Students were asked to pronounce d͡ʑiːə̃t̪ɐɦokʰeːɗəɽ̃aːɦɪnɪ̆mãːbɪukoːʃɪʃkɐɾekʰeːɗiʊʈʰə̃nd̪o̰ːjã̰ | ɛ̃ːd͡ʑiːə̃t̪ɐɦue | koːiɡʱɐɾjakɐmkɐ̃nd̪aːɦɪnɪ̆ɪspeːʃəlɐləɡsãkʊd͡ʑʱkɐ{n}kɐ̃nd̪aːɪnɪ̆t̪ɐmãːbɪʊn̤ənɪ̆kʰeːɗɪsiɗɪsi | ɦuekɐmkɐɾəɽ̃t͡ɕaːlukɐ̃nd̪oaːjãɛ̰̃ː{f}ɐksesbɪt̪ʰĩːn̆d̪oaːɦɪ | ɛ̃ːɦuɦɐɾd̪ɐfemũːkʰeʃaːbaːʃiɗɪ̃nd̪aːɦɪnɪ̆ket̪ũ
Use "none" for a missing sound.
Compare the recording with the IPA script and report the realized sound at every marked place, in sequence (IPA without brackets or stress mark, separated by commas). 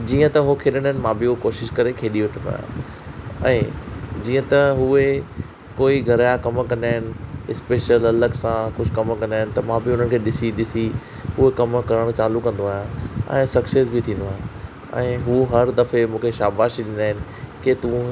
m, s